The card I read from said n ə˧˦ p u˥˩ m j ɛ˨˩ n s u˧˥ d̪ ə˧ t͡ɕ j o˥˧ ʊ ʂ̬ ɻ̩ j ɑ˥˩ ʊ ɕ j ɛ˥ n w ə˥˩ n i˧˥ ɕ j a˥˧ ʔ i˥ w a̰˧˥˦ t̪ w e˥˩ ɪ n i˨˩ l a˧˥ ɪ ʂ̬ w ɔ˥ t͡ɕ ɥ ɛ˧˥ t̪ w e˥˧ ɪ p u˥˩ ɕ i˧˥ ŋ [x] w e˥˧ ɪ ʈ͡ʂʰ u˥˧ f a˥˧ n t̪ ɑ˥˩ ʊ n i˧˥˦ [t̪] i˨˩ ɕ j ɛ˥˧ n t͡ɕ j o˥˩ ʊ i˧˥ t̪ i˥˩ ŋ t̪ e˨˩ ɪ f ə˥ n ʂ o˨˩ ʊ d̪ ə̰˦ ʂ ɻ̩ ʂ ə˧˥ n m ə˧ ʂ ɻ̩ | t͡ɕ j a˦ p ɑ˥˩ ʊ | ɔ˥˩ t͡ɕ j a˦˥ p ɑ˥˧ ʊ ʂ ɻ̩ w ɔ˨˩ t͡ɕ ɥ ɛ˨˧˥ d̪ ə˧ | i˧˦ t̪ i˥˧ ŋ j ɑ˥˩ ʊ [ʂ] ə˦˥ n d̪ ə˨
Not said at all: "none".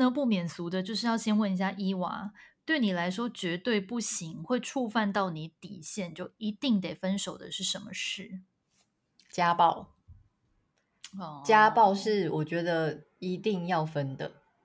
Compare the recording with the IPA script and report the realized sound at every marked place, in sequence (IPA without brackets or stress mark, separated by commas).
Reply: x, t̪, f